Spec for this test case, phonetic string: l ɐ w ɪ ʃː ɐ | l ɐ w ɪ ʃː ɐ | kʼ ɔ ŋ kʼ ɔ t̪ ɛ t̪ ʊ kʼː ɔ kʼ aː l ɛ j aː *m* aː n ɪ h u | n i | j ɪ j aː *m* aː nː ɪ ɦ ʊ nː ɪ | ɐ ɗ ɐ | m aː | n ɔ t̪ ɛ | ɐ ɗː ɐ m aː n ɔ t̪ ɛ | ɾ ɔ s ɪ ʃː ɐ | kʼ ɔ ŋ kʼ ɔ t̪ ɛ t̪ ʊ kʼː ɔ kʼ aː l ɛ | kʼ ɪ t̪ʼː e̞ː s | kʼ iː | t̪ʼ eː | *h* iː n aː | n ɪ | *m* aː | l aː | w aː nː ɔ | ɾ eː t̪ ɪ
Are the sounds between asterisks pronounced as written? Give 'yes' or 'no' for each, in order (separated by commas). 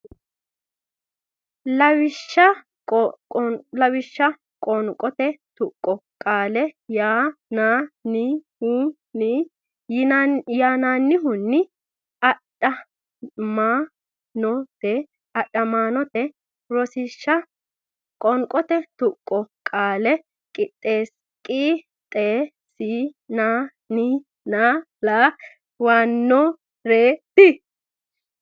no, no, no, no